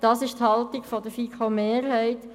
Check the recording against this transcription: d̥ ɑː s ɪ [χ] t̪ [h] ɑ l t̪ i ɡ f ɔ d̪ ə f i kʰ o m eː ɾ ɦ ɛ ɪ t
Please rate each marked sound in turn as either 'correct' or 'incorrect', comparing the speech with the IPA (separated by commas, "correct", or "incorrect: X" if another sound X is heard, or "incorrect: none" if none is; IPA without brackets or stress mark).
incorrect: ʃ, correct